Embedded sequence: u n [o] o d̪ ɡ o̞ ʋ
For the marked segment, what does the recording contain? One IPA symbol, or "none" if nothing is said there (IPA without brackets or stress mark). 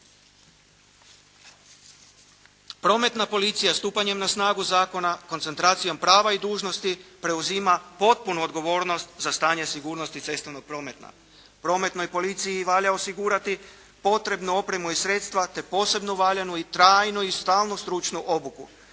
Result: u